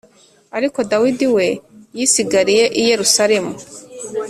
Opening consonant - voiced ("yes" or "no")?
yes